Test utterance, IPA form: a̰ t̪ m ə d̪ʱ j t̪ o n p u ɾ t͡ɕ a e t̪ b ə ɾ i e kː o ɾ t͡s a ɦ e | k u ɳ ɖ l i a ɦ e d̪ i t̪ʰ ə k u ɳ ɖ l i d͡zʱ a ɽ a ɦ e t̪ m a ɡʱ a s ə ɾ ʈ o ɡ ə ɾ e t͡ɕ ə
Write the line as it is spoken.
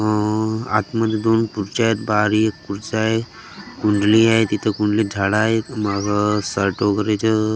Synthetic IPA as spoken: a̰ t̪ m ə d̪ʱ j d̪ o n p u ɾ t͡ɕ a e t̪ b a ɾ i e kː u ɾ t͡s a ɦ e | k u ɳ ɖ l i a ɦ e t̪ i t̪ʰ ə k u ɳ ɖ l i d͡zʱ a ɽ a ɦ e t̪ m a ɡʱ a s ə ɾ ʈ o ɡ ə ɾ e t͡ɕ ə